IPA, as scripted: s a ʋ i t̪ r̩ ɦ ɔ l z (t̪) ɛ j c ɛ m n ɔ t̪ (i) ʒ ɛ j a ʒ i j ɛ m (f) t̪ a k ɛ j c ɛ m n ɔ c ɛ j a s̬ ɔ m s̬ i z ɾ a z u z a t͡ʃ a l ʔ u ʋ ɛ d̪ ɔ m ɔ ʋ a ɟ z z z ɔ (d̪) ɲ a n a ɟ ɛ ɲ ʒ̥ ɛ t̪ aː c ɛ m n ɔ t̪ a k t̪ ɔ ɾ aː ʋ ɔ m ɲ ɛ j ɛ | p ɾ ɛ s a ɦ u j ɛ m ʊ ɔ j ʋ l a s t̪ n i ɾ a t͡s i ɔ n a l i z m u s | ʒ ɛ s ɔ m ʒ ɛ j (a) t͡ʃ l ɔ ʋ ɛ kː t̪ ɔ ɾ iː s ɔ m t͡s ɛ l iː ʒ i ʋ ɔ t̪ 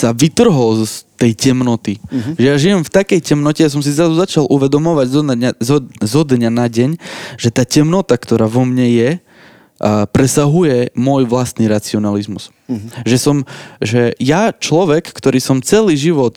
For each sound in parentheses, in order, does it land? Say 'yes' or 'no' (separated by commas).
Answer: yes, yes, yes, yes, yes